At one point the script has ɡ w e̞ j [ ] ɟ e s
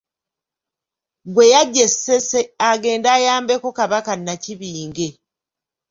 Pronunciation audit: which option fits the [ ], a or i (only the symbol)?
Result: a